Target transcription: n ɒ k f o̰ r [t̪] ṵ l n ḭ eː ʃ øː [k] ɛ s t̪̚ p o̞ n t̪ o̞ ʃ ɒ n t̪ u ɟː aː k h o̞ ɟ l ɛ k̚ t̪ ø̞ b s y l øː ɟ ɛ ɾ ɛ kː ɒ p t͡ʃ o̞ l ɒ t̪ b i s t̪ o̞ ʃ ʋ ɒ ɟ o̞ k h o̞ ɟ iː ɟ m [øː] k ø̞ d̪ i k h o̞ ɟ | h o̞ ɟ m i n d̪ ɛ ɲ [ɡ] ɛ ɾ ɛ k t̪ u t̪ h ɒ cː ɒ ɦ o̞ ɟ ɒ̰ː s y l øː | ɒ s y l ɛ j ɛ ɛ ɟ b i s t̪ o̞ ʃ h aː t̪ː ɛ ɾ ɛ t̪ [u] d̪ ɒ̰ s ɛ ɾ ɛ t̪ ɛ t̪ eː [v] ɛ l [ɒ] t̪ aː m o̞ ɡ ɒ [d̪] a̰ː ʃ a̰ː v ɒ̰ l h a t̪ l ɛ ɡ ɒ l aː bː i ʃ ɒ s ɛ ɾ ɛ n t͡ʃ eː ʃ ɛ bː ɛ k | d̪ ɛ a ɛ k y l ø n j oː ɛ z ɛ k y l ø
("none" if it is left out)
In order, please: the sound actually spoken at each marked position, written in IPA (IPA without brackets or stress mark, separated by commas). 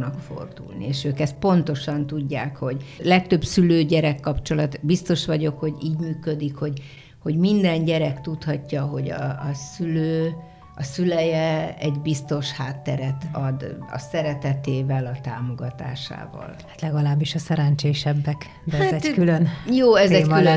d̪, k, yː, ɟ, ɒ, v, ɒ, t̪